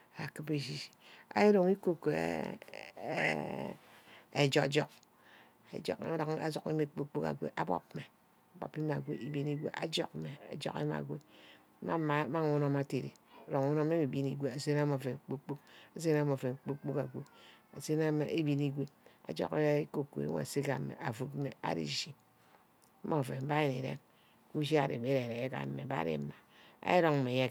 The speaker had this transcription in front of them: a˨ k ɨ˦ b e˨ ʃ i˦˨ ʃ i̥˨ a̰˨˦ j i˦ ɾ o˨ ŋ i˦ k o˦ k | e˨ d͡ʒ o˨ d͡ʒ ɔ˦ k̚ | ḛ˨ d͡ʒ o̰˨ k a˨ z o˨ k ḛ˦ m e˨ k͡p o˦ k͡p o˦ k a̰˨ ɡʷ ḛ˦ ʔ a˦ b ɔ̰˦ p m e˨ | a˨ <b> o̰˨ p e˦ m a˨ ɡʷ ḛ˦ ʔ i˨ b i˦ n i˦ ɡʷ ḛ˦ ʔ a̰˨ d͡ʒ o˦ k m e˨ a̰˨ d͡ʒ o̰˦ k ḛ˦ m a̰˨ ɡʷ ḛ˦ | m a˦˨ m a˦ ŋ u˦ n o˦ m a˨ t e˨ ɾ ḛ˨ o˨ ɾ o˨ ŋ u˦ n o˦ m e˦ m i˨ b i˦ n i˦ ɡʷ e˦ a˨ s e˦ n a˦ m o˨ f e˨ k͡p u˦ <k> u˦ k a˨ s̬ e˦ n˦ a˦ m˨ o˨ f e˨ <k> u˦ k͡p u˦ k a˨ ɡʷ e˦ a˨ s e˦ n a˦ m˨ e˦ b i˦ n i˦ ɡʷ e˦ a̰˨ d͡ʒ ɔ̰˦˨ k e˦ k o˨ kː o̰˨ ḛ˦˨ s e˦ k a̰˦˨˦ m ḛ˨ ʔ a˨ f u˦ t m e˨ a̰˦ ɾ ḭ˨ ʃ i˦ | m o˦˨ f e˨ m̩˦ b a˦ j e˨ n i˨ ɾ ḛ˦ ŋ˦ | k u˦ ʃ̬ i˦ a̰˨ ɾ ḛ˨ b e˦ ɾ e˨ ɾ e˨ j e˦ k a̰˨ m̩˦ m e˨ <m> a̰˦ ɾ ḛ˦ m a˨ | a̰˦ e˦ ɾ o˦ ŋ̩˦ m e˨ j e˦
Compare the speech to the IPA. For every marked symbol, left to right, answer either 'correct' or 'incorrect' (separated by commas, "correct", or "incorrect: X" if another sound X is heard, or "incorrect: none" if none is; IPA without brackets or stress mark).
correct, incorrect: k͡p, incorrect: k͡p, incorrect: b